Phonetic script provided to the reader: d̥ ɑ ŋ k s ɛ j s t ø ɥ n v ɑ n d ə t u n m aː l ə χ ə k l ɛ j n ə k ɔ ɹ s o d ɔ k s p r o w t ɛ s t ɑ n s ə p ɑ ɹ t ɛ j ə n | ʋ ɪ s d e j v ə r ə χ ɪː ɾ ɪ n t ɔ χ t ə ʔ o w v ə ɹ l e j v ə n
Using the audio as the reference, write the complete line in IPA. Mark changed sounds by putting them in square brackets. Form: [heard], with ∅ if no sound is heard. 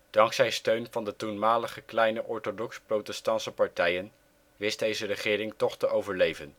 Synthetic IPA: d̥ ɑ ŋ k s ɛ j s t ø ɥ n v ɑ n d ə t u n m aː l ə χ ə k l ɛ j n ə [ʔ] ɔ ɹ [t] o d ɔ k s p r o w t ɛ s t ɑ n s ə p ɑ ɹ t ɛ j ə n | ʋ ɪ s d e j [z] ə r ə χ ɪː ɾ ɪ [ŋ] t ɔ χ t ə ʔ o w v ə ɹ l e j v ə n